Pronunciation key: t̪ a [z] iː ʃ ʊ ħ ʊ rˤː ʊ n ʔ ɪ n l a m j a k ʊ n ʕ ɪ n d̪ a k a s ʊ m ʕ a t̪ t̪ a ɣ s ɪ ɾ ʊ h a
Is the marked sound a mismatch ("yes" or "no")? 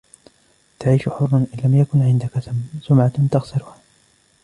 yes